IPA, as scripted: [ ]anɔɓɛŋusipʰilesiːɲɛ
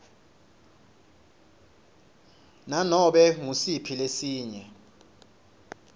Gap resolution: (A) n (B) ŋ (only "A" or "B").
A